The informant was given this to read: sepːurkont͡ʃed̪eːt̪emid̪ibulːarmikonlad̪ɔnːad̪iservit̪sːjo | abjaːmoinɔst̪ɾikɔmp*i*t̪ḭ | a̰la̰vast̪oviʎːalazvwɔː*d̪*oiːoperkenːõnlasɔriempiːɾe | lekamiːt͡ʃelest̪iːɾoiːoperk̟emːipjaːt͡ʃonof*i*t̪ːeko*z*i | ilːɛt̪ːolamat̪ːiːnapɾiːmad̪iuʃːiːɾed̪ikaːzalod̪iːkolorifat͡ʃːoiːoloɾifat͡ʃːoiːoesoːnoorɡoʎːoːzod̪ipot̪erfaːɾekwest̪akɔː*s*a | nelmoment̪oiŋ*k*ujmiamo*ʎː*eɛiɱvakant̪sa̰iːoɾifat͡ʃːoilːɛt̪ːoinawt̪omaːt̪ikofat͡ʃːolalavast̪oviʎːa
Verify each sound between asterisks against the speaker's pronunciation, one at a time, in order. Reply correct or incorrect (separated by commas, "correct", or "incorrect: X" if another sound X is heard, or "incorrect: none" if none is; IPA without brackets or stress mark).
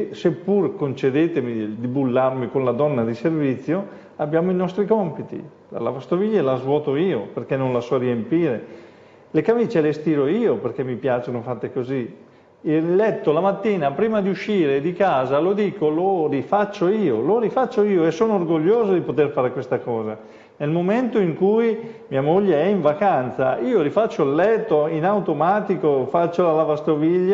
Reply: correct, incorrect: t̪, incorrect: a, correct, incorrect: z, correct, correct